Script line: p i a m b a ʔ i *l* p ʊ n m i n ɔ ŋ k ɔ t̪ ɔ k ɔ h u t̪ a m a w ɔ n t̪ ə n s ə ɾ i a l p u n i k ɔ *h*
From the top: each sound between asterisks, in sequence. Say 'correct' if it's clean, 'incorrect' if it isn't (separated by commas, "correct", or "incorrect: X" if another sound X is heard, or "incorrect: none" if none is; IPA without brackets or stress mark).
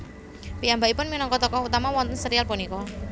incorrect: none, incorrect: none